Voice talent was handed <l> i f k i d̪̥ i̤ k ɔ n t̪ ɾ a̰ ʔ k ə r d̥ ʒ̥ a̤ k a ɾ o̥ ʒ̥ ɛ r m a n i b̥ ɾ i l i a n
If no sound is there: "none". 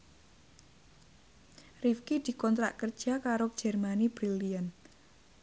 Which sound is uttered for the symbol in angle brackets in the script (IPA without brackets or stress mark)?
r